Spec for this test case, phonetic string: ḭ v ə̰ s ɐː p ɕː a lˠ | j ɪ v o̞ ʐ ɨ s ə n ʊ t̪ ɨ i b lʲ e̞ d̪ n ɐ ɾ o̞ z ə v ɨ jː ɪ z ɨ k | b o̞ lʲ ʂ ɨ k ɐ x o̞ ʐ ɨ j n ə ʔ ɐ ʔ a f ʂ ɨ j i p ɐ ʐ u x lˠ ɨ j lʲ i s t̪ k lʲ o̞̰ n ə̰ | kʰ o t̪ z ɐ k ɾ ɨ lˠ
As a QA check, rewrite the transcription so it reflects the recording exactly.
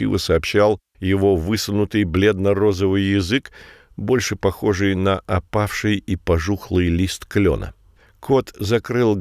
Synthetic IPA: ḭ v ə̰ s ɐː p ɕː a lˠ | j ɪ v o̞ v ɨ s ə n ʊ t̪ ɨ j b lʲ e̞ d̪ n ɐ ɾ o̞ z ə v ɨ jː ɪ z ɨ k | b o̞ lʲ ʂ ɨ p ɐ x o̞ ʐ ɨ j n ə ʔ ɐ p a f ʂ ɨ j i p ɐ ʐ u x lˠ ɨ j lʲ i s t̪ k lʲ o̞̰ n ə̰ | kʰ o t̪ z ɐ k ɾ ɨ lˠ